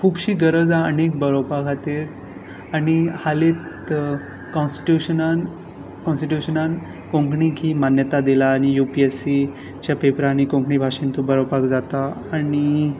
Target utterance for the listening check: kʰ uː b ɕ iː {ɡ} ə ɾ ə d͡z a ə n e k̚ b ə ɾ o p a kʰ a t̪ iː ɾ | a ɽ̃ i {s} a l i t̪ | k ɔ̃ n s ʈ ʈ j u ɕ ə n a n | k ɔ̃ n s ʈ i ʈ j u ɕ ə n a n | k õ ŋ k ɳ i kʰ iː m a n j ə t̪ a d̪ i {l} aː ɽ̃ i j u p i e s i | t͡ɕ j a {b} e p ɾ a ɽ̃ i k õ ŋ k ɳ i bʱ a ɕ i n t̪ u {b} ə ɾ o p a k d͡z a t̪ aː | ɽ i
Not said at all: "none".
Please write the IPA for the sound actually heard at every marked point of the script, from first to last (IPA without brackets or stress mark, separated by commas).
ɡ, h, l, p, b